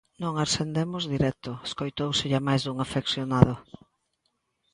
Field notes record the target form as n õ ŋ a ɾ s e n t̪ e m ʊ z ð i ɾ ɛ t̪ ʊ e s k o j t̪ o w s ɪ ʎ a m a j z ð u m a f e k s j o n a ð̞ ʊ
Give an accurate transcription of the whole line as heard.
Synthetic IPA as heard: n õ ŋ a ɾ s e n d̪ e m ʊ z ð i ɾ ɛ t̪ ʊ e s k o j t̪ o w s ɪ ʎ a m a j z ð u ŋ a f e k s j o n a ð̞ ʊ

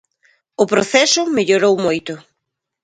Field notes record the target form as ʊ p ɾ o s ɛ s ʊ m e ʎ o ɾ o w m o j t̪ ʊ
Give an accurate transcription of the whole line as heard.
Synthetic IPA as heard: ʊ p ɾ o θ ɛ s ʊ m e ʎ o ɾ o w m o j t̪ ʊ

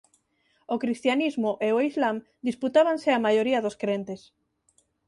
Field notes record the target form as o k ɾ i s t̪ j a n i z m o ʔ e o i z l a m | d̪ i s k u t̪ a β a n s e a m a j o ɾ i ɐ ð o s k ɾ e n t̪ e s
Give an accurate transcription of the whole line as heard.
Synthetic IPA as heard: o k ɾ i s t̪ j a n i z m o ʔ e o i z l a m | d̪ i s p u t̪ a β a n s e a m a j o ɾ i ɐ ð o s k ɾ e n t̪ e s

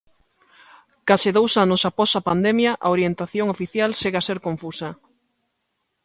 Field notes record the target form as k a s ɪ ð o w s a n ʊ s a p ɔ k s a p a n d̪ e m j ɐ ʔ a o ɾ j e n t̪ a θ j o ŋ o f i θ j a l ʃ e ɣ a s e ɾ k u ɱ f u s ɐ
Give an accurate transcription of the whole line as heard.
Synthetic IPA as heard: k a s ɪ ð o w s a n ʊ s a p ɔ s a p a n d̪ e m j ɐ ʔ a o ɾ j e n t̪ a θ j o ŋ o f i θ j a l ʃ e ɣ a s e ɾ k o ɱ f u s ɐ

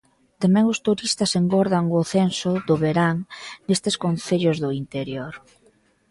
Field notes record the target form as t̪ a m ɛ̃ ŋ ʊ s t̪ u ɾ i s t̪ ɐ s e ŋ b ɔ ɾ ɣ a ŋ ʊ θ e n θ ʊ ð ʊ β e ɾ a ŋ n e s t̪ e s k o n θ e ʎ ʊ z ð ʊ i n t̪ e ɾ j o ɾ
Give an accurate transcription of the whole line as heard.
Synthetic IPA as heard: t̪ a m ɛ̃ ŋ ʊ s t̪ u ɾ i s t̪ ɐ s e ŋ ɡ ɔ ɾ ð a ŋ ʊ θ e n s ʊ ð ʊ β e ɾ a ŋ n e s t̪ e s k o n θ e ʎ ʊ z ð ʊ i n t̪ e ɾ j o ɾ

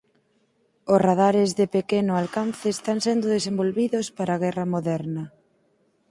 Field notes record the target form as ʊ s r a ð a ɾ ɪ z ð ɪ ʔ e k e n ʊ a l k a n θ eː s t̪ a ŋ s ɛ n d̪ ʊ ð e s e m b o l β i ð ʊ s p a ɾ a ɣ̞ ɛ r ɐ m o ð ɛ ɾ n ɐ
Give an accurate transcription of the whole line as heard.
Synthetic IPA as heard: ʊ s r a ð a ɾ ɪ z ð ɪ p e k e n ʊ a l k a n θ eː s t̪ a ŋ s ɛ n d̪ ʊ ð e s e m b o l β i ð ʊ s p a ɾ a ɣ̞ ɛ r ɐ m o ð ɛ ɾ n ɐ

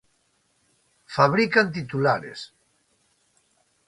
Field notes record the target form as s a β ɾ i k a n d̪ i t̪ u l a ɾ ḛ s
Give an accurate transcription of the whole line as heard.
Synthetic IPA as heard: f a β ɾ i k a n t̪ i t̪ u l a ɾ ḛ s

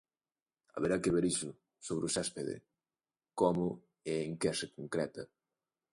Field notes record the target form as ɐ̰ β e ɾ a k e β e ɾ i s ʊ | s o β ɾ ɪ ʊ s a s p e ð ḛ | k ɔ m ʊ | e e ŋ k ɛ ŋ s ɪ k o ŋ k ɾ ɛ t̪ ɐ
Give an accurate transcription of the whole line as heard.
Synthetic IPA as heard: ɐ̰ β e ɾ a k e β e ɾ i s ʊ | s o β ɾ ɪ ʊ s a s p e ð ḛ | k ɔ m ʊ | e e ŋ k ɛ s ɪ k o ŋ k ɾ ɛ t̪ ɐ

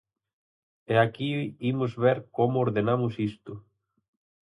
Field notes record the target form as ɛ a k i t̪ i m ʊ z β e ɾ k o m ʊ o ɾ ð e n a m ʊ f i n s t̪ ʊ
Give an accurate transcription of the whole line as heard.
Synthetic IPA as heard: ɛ a k i i m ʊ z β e ɾ k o m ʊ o ɾ ð e n a m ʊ s i s t̪ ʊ

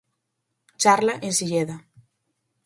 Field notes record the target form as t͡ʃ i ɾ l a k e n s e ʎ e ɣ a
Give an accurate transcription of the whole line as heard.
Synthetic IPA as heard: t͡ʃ a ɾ l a ʔ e n s i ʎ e ð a

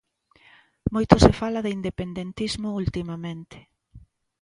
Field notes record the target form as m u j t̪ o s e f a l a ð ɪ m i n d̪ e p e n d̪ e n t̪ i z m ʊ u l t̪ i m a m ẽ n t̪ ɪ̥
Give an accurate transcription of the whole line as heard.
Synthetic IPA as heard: m o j t̪ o s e f a l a ð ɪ i n d̪ e p e n d̪ e n t̪ i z m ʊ u l t̪ i m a m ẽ n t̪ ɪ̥

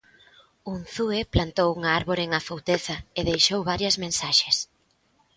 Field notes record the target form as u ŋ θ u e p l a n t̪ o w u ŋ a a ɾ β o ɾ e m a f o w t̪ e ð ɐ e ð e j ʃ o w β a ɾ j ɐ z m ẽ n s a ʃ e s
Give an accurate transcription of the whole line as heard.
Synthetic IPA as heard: u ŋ θ u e p l a n t̪ o w u ŋ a a ɾ β o ɾ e ŋ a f o w t̪ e θ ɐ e ð e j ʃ o w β a ɾ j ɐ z m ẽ n s a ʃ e s

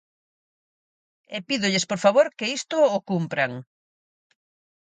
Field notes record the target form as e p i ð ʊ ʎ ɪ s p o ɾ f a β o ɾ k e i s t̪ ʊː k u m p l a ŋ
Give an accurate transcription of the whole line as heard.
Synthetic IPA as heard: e p i ð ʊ ʎ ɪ s p o ɾ f a β o ɾ k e i s t̪ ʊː k u m p ɾ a ŋ

